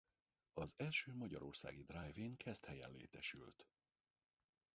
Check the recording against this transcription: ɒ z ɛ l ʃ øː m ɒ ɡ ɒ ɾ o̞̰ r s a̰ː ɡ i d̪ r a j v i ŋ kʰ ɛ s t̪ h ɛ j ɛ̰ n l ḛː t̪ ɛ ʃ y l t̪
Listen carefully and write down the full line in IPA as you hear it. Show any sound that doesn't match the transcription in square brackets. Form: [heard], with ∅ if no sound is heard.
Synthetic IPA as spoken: ɒ z ɛ l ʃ øː m ɒ [ɟ] ɒ ɾ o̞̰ r s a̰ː ɡ i d̪ r a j v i ŋ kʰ ɛ s t̪ h ɛ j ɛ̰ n l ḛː t̪ ɛ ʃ y l t̪